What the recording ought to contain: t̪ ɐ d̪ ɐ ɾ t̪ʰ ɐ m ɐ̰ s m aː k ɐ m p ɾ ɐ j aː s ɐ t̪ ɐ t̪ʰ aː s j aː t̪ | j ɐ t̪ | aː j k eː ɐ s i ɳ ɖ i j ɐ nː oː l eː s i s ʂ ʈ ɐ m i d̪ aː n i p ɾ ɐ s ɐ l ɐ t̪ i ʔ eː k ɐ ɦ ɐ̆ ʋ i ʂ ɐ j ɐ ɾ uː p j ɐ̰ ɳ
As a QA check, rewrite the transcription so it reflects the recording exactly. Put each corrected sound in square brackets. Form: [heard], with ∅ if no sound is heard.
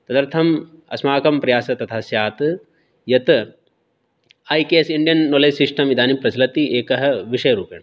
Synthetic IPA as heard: t̪ ɐ d̪ ɐ ɾ t̪ʰ ɐ m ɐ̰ s m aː k ɐ m p ɾ ɐ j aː s ɐ t̪ ɐ t̪ʰ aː s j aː t̪ | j ɐ t̪ | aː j k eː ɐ s i ɳ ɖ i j ɐ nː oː l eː s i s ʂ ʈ ɐ m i d̪ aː n i p ɾ ɐ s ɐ l ɐ t̪ i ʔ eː k ɐ ɦ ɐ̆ ʋ i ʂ ɐ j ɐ ɾ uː p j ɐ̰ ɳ